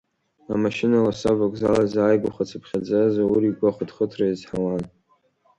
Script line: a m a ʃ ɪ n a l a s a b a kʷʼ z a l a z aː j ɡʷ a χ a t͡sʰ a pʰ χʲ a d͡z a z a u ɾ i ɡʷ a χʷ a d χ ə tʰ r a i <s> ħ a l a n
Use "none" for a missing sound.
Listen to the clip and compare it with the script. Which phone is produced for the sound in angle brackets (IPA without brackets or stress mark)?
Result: z